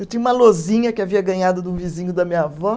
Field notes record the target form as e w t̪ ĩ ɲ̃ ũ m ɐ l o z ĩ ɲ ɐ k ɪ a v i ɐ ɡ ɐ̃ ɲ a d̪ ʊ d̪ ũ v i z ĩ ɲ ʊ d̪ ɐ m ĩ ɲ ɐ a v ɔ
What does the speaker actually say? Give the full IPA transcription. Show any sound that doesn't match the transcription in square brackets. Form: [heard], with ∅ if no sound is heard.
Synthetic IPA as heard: e w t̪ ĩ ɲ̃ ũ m ɐ l o z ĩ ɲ ɐ k ɪ a v i ɐ ɡ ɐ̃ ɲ a d̪ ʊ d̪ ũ v i z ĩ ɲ ʊ d̪ ɐ m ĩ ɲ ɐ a v ɔ